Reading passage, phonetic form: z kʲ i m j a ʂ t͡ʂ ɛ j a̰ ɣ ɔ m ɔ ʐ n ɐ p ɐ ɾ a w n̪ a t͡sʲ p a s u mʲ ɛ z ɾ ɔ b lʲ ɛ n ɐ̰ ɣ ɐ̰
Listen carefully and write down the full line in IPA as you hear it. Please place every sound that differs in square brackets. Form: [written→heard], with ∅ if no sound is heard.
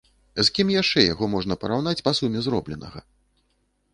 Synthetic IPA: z kʲ i m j a ʂ t͡ʂ ɛ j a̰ ɣ ɔ m ɔ ʐ n ɐ p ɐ ɾ a w n̪ a t͡sʲ p a s u mʲ ɛ z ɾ ɔ b lʲ ɛ n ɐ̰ ɣ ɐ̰